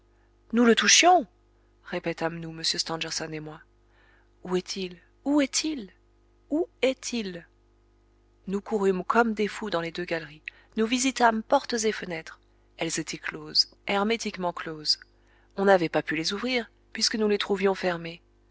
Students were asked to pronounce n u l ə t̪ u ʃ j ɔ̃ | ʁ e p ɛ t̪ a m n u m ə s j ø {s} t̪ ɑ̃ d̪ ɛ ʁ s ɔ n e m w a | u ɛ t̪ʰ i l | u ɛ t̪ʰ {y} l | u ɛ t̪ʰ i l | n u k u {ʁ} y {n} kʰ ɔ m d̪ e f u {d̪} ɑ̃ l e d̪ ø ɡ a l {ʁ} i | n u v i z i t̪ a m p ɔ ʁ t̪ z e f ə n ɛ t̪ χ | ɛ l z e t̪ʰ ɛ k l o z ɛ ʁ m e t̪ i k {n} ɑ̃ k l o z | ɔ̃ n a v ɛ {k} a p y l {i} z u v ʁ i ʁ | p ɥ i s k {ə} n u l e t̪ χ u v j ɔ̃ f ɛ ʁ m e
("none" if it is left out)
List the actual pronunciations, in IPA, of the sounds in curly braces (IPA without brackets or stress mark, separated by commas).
s, i, ʁ, m, d̪, ʁ, m, p, e, ə